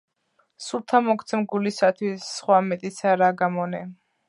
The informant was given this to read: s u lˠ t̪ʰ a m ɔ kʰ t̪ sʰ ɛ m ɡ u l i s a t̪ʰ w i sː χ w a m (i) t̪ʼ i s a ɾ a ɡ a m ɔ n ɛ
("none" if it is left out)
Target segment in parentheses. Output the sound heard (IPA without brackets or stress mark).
ɛ